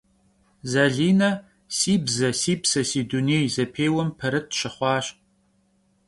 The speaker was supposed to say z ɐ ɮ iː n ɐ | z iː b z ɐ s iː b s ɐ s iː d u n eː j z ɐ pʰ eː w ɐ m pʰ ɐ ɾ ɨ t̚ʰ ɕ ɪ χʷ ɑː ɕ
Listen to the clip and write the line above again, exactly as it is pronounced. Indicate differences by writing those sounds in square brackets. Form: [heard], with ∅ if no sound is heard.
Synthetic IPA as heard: z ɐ ɮ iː n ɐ | [s] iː b z ɐ s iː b s ɐ s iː d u n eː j z ɐ pʰ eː w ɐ m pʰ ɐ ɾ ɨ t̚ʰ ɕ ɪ χʷ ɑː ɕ